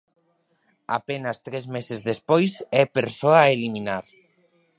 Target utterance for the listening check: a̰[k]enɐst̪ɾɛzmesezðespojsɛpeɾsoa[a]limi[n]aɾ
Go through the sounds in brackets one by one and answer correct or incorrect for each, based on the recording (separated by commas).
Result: incorrect, incorrect, correct